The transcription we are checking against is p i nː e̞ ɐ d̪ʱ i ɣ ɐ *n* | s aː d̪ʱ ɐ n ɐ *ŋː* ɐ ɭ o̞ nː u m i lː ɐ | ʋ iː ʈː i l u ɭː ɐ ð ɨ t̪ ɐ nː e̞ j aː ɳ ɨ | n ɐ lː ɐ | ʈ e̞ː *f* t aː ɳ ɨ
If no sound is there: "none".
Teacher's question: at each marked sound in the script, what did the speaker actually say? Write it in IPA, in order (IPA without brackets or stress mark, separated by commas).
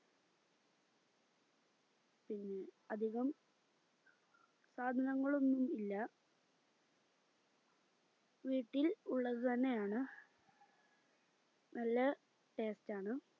m, ŋː, s